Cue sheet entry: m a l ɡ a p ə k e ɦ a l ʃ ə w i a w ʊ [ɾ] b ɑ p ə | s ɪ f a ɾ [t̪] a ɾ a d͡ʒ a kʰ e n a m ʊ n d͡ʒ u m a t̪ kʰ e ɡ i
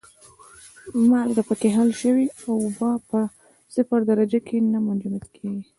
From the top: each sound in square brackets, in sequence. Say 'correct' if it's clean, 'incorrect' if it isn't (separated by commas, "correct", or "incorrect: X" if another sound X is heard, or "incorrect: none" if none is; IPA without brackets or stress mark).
incorrect: none, incorrect: d̪